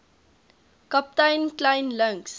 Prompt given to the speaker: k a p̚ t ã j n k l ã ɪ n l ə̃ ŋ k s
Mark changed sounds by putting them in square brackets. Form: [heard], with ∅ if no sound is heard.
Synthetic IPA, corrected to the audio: k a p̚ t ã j n k l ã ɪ n l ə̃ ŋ k s